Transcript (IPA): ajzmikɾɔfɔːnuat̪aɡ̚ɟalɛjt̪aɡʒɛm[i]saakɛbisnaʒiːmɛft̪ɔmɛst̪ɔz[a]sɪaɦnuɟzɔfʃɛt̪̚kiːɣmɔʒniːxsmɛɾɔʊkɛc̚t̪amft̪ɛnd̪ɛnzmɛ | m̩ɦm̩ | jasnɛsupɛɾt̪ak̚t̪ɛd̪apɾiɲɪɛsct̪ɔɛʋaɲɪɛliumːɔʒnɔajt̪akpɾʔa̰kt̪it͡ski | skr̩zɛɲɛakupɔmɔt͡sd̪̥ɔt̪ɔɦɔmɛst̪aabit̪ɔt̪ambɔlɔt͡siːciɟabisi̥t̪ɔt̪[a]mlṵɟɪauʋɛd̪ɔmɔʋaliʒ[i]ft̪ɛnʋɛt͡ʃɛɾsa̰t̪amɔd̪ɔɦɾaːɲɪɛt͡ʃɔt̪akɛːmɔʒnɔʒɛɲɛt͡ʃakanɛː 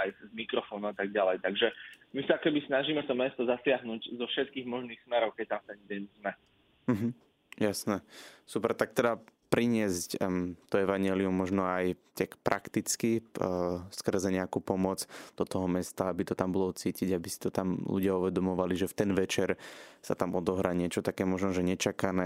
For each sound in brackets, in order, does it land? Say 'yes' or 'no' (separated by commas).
yes, yes, yes, no